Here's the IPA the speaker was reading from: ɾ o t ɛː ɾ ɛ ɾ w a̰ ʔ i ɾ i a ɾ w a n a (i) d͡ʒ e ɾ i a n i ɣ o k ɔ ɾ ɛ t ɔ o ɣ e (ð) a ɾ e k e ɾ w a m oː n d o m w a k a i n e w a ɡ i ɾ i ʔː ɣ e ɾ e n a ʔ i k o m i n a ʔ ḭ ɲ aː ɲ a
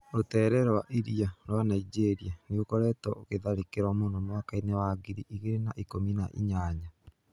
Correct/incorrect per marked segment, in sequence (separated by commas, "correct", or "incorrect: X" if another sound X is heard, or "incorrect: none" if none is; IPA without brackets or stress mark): correct, correct